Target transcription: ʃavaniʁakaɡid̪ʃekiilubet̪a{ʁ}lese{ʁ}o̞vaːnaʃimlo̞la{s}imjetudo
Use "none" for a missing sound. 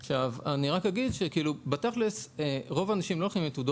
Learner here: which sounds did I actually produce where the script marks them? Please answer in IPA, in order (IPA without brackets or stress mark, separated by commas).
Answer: χ, ʁ, χ